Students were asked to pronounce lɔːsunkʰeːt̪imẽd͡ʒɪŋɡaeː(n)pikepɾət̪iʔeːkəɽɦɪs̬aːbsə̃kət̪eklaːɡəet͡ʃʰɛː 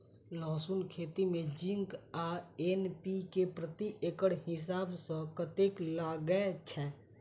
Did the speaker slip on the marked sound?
no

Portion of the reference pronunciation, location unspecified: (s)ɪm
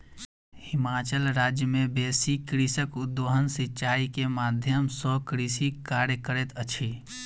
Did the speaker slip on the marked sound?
yes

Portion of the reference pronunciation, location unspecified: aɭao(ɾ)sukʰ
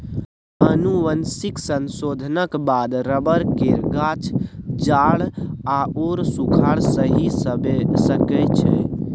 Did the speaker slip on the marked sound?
no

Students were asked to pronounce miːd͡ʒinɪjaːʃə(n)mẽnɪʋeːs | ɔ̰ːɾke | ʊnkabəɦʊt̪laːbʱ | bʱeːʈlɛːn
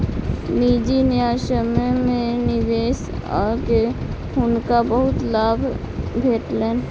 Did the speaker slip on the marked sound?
yes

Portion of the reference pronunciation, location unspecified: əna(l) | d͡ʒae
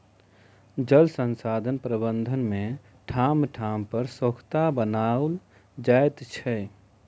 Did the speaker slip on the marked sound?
no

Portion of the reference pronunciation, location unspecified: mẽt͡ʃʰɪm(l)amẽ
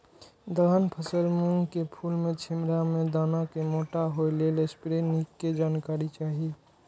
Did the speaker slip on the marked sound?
yes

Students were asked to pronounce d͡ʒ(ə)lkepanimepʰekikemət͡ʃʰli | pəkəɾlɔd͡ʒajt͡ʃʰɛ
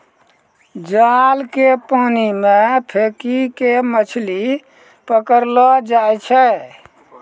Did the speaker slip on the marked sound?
yes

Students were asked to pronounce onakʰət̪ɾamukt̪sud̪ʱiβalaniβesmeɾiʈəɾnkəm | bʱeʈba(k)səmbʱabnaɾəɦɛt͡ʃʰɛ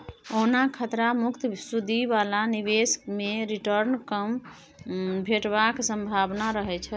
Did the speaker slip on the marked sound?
no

